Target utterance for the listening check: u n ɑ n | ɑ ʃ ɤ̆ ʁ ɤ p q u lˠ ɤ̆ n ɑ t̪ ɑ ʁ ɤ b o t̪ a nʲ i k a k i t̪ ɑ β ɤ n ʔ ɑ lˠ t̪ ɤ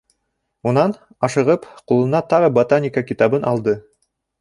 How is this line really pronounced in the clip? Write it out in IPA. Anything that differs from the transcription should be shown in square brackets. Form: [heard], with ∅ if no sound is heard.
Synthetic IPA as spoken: u n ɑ n | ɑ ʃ ɤ̆ ʁ ɤ p q u lˠ ɤ̆ n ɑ t̪ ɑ ʁ ɤ b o t̪ a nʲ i k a k i t̪ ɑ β ɤ n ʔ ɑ lˠ [d̪] ɤ